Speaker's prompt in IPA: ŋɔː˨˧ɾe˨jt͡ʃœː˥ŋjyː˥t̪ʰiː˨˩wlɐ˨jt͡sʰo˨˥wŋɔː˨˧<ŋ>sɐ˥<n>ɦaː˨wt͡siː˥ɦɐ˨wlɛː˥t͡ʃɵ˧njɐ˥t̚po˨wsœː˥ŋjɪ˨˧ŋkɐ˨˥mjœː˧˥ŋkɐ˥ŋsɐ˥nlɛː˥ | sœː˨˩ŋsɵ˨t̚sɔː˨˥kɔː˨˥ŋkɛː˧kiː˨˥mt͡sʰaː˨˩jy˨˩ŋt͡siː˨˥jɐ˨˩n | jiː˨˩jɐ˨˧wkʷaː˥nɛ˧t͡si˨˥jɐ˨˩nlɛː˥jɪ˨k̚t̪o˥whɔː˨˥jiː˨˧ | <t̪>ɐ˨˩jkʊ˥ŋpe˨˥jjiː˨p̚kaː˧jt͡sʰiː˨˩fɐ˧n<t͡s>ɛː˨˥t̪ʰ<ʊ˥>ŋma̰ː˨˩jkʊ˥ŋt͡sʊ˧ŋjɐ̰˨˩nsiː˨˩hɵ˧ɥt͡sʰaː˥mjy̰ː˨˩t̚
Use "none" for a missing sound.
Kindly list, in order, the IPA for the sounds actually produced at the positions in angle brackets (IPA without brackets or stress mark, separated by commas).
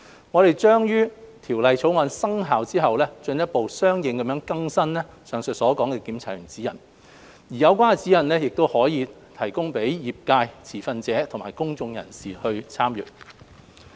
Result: n, ŋ, t̪ʰ, t͡s, ʊ˨˩